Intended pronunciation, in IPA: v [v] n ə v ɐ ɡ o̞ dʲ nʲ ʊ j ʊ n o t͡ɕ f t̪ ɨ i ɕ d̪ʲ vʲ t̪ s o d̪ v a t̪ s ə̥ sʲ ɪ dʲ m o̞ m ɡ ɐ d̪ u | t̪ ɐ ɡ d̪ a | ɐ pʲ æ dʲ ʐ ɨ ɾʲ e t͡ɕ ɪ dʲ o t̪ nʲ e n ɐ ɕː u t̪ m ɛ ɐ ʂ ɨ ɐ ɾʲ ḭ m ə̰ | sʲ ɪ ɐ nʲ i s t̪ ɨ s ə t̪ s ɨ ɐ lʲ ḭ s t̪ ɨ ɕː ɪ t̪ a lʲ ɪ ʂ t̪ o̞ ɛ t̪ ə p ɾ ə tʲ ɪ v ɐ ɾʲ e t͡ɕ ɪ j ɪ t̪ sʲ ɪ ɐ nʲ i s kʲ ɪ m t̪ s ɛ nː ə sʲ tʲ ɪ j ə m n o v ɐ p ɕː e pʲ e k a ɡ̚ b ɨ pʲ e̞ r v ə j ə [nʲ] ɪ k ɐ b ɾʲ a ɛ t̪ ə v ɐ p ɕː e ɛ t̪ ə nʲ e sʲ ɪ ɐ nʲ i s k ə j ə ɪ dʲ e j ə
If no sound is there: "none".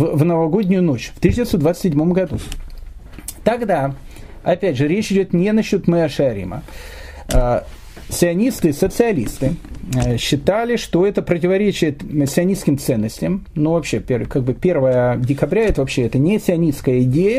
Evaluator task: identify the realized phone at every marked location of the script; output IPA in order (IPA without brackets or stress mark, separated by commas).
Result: v, dʲ